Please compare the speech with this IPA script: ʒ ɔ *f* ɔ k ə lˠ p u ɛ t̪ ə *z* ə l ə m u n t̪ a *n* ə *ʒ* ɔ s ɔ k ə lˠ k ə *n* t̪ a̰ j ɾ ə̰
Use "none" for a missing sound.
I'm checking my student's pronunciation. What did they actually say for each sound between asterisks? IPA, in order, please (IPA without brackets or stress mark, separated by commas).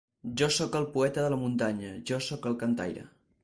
s, ð, ɲ, ʒ, n